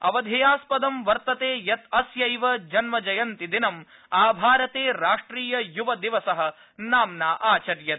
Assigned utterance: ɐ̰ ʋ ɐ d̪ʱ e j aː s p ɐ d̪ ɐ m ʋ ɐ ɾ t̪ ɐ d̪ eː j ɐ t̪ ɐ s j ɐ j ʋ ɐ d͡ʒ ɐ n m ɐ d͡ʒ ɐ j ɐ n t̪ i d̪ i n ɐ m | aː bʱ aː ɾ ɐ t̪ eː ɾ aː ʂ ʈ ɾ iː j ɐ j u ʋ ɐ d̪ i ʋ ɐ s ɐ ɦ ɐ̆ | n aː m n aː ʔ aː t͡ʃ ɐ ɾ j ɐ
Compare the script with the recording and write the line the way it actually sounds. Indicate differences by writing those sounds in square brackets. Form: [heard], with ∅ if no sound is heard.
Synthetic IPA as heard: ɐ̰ ʋ ɐ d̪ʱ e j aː s p ɐ d̪ ɐ m ʋ ɐ ɾ t̪ ɐ [t̪] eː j ɐ t̪ ɐ s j ɐ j ʋ ɐ d͡ʒ ɐ n m ɐ d͡ʒ ɐ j ɐ n t̪ i d̪ i n ɐ m | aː bʱ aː ɾ ɐ t̪ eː ɾ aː ʂ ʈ ɾ iː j ɐ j u ʋ ɐ d̪ i ʋ ɐ s ɐ ɦ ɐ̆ | n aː m n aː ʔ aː t͡ʃ ɐ ɾ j ɐ